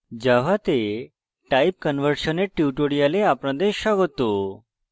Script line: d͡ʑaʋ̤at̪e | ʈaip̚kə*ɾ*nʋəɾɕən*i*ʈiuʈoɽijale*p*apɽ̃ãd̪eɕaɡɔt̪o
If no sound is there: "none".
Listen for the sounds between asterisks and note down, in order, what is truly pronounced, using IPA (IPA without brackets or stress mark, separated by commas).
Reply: none, e, none